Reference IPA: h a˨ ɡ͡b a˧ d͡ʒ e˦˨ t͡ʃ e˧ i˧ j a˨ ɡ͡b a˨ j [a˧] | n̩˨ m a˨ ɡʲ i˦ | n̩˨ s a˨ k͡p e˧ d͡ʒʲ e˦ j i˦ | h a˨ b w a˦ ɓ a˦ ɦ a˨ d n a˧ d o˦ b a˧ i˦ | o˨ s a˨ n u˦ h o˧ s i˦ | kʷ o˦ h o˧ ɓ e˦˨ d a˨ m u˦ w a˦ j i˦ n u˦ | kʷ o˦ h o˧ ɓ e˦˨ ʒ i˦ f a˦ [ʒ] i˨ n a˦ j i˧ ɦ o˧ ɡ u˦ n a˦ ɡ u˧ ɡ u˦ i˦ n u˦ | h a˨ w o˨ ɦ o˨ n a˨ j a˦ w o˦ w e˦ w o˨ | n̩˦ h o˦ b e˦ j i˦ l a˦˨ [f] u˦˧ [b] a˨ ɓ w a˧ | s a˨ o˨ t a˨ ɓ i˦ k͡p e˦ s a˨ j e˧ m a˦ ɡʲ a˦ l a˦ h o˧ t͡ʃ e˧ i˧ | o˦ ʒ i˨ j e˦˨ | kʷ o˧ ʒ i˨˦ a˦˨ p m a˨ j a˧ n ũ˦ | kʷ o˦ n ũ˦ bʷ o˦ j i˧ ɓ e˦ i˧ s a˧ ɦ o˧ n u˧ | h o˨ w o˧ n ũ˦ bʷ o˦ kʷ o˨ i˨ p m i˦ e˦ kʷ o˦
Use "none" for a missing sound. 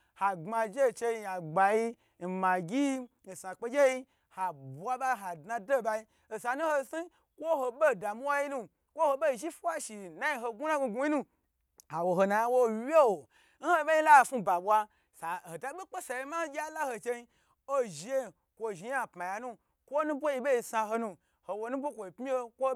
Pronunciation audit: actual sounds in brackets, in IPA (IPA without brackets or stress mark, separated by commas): i˧, ʃ, f, b